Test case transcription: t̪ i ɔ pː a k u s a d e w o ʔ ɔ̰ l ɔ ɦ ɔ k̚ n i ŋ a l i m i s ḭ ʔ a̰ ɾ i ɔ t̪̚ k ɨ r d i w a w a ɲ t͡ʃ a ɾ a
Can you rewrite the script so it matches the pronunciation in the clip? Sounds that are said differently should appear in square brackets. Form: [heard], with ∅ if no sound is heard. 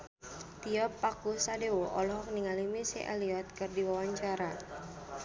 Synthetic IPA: t̪ i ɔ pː a k u s a d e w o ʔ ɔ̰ l ɔ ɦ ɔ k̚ n i ŋ a l i m i s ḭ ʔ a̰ [l] i ɔ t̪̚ k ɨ r d i w a w a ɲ t͡ʃ a ɾ a